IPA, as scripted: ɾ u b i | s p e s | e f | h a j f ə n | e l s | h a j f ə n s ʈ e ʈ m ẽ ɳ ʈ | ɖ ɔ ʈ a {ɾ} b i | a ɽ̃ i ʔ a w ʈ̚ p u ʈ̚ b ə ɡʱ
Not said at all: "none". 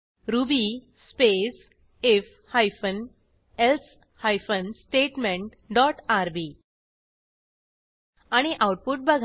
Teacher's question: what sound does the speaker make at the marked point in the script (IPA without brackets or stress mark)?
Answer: ɾ